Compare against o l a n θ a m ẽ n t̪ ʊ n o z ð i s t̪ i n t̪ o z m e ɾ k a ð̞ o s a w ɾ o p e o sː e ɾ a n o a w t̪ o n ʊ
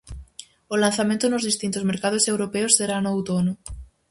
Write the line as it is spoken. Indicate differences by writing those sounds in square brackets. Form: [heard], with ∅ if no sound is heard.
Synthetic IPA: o l a n θ a m ẽ n t̪ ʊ n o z ð i s t̪ i n t̪ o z m e ɾ k a ð̞ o s [e] w ɾ o p e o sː e ɾ a n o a w t̪ o n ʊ